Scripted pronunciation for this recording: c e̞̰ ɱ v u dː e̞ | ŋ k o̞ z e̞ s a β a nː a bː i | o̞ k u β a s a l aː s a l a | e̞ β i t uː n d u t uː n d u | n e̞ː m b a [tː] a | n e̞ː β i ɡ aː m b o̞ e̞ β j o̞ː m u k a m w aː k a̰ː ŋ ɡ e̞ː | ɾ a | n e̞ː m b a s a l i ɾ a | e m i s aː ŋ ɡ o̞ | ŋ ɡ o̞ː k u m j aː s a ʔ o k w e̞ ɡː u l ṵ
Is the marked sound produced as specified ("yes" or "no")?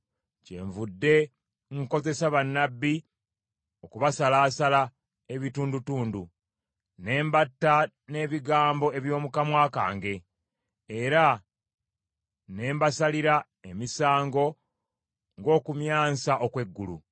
yes